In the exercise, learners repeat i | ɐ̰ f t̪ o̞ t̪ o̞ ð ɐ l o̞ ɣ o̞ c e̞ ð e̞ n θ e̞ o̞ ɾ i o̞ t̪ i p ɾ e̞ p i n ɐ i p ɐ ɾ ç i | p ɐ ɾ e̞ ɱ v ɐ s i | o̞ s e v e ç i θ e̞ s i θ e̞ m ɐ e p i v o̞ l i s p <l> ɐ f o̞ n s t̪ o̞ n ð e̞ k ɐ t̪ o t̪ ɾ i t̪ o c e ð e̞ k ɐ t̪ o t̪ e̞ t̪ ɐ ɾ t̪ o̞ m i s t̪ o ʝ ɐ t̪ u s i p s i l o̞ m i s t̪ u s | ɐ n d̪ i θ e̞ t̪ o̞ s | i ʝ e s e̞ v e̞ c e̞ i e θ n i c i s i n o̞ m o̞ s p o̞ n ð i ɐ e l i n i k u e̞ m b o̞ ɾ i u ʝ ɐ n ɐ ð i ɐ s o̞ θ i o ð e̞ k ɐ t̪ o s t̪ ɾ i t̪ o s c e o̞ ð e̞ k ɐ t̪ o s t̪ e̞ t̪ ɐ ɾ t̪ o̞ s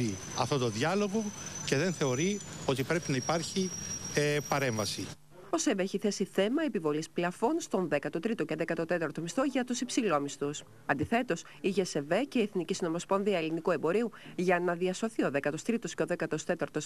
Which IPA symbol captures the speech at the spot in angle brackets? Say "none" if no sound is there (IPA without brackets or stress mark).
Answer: l